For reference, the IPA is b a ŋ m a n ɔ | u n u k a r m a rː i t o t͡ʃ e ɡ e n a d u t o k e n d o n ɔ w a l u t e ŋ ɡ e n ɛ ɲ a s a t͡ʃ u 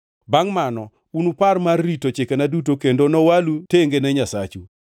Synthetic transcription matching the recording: b a ŋ m a n ɔ | u n u p a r m a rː i t o t͡ʃ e k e n a d u t o k e n d o n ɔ w a l u t e ŋ ɡ e n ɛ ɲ a s a t͡ʃ u